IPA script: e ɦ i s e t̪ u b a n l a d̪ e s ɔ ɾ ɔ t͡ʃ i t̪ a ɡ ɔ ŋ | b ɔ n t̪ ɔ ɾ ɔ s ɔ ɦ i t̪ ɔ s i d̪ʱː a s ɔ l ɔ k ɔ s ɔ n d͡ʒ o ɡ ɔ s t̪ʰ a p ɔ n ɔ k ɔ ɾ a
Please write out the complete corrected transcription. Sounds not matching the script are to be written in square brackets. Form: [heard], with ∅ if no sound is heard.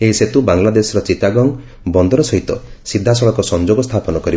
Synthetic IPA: e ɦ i s e t̪ u b a [ŋ] l a d̪ e s ɔ ɾ ɔ t͡ʃ i t̪ a ɡ ɔ ŋ | b ɔ n [d̪] ɔ ɾ ɔ s ɔ ɦ i t̪ ɔ s i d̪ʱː a s ɔ [ɭ] ɔ k ɔ s ɔ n d͡ʒ o ɡ ɔ s t̪ʰ a p ɔ n ɔ k ɔ ɾ [i]

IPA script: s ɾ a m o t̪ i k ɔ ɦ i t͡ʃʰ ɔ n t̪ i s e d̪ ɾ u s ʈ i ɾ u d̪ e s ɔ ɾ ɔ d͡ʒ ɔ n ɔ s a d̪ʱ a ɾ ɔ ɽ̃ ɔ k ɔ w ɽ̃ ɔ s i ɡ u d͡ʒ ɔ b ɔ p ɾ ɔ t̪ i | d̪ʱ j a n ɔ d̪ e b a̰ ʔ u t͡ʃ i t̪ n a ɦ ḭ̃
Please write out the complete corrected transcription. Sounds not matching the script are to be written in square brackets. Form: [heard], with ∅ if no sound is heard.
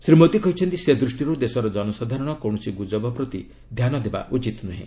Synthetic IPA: s ɾ [i] m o t̪ i k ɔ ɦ i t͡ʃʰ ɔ n t̪ i s e d̪ ɾ u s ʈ i ɾ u d̪ e s ɔ ɾ ɔ d͡ʒ ɔ n ɔ s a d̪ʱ a ɾ ɔ ɽ̃ ɔ k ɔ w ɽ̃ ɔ s i ɡ u d͡ʒ ɔ b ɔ p ɾ ɔ t̪ i | d̪ʱ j a n ɔ d̪ e b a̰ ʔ u t͡ʃ i t̪ n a ɦ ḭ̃

